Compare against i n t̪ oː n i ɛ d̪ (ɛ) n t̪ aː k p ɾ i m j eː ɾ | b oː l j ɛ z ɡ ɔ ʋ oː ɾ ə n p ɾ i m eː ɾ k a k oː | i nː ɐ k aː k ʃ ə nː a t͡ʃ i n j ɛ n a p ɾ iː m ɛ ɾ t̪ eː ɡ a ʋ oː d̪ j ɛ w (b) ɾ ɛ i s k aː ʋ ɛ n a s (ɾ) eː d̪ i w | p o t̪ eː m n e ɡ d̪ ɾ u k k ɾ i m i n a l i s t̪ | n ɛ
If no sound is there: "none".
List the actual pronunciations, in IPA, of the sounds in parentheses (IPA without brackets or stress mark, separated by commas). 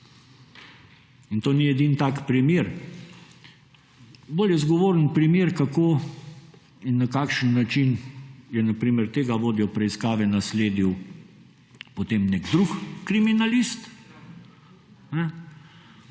i, p, l